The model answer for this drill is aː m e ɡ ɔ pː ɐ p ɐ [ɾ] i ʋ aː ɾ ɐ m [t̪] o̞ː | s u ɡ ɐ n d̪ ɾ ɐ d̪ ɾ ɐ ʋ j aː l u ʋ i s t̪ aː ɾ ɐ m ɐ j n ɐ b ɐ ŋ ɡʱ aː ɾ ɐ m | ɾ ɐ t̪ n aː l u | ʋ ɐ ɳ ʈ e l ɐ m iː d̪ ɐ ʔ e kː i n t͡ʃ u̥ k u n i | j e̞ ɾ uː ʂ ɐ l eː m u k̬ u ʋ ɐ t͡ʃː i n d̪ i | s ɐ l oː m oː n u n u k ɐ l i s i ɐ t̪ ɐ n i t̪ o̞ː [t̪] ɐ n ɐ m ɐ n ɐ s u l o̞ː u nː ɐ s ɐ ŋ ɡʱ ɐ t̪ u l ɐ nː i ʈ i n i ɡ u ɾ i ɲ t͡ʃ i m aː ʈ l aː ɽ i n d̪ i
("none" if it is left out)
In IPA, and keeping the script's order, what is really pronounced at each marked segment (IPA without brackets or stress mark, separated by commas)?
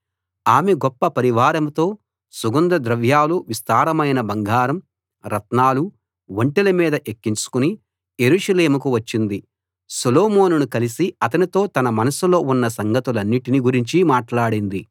ɾ, t̪, t̪